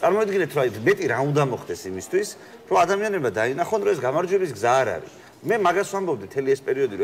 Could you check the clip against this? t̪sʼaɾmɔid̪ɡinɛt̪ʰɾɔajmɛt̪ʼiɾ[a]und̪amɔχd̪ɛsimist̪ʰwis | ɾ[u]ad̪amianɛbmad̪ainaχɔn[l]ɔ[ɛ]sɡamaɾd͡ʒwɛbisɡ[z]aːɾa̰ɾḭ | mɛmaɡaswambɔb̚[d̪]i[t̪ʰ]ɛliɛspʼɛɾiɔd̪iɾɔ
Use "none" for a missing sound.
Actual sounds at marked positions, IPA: a, ɔ, ɾ, ɛ, z, d̪, t̪ʰ

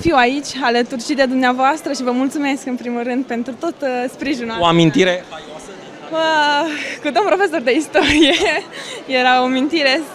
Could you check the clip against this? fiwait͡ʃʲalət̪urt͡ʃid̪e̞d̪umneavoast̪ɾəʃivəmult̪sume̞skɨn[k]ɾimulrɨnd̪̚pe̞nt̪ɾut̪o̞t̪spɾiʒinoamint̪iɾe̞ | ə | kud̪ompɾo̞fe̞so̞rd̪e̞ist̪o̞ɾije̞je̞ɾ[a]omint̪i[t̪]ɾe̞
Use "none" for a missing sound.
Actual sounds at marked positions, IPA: p, a, none

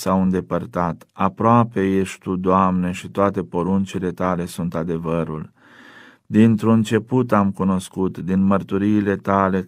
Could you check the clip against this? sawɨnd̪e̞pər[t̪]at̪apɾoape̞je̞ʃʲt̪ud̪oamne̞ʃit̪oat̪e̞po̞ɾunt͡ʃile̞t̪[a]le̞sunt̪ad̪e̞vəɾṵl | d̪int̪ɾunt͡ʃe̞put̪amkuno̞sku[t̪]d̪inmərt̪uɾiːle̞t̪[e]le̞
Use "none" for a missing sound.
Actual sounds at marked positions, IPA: t̪, a, t̪, a

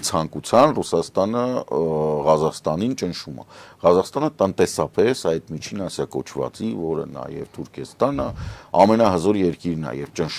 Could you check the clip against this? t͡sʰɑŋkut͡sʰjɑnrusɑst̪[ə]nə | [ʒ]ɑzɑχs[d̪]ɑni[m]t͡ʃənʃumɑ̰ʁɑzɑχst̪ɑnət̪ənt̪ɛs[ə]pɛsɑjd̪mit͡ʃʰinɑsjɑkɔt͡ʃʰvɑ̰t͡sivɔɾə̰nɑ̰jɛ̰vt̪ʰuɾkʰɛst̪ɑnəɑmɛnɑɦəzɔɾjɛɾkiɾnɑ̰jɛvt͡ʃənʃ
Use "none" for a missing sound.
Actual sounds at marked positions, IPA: ɑ, ʁ, t̪, n, ɑ

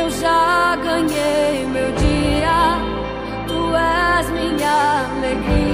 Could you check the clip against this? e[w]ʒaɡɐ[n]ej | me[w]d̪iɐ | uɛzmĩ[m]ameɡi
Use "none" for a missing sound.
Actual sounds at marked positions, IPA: w, ɲ, w, ɲ

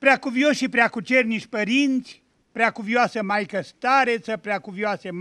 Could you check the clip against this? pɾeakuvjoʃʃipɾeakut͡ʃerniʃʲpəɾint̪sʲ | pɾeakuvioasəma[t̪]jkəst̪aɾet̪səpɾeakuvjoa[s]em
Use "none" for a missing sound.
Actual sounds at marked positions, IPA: none, s

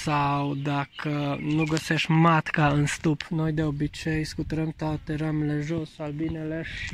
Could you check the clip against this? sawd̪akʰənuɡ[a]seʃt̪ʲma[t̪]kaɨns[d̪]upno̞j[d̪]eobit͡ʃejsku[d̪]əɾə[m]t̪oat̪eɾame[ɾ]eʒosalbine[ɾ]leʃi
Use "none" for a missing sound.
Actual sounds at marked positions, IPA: ə, t̪, t̪, d̪, t̪, m, l, none

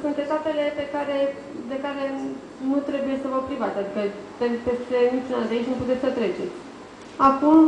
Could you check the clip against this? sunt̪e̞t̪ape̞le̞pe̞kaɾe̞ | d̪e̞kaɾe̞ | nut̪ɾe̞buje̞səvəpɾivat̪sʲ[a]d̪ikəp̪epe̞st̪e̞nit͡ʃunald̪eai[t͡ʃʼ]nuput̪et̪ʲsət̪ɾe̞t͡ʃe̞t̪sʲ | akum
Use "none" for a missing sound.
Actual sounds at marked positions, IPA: a, t͡ʃ

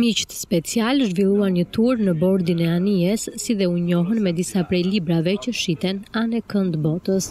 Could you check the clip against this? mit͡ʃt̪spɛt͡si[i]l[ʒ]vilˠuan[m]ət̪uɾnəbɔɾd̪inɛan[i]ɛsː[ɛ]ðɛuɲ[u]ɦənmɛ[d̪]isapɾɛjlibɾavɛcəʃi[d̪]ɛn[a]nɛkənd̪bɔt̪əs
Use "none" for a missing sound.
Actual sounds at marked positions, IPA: a, ʒ, ɲ, i, i, ɔ, d̪, t̪, a

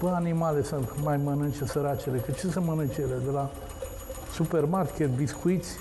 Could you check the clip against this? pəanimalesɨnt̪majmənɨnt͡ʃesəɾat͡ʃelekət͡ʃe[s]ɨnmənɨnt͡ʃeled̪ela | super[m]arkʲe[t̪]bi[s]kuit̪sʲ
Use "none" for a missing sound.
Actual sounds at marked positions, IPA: s, m, t̪, s

